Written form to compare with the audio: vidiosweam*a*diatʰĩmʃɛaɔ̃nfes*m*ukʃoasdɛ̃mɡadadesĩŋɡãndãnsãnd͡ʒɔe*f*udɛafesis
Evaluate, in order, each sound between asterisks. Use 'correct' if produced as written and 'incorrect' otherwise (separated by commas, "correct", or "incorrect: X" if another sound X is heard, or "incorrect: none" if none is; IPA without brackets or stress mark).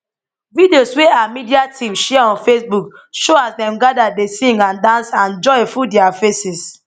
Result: incorrect: i, incorrect: b, correct